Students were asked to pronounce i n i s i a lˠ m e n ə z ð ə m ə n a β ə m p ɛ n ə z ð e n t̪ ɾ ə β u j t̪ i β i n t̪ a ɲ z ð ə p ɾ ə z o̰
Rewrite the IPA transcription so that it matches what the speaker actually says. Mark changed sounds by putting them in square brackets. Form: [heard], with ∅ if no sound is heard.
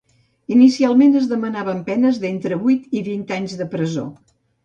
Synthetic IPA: i n i s i a lˠ m e n ə z ð ə m ə n a β ə m p ɛ n ə z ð e n t̪ ɾ ə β u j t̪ i β i n t̪ a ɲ z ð ə p ɾ ə z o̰